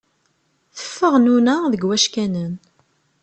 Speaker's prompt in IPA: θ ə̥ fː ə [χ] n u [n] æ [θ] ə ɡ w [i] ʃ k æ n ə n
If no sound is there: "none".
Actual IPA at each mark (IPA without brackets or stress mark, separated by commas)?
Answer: ʁ, n, ð, æ